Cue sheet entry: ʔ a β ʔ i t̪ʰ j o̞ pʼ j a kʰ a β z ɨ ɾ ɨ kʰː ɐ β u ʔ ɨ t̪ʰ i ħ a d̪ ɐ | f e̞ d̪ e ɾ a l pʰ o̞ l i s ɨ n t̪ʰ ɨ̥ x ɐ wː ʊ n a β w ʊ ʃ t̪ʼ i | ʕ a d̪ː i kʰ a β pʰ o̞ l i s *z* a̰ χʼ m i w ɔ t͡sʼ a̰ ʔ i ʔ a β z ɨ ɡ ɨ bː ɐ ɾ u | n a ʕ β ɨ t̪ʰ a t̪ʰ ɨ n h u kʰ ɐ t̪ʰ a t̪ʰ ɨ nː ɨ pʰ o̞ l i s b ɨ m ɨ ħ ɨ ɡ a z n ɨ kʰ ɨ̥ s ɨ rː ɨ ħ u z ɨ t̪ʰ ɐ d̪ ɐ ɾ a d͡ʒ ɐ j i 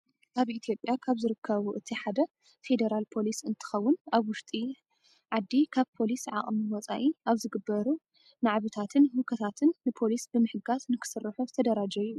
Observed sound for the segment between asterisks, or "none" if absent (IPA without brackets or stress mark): ʕ